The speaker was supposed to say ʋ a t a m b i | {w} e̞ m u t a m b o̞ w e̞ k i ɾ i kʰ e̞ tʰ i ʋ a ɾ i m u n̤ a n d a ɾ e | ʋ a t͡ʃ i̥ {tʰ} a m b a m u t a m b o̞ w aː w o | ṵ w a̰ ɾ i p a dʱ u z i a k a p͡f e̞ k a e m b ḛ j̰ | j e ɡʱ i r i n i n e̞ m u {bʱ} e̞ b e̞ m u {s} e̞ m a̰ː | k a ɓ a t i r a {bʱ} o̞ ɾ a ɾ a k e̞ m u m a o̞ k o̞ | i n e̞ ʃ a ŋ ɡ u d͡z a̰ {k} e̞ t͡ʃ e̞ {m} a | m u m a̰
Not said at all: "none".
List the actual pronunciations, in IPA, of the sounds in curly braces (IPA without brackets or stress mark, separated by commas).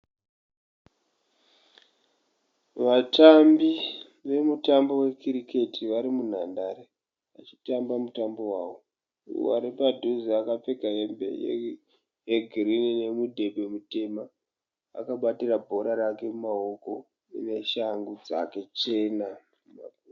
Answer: ʋ, t, dʱ, t, bʱ, k, n